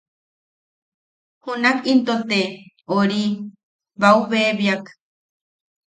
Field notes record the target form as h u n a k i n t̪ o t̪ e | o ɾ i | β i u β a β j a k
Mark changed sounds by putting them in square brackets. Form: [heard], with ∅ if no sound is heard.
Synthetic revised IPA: h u n a k i n t̪ o t̪ e | o ɾ i | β [a] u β [e] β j a k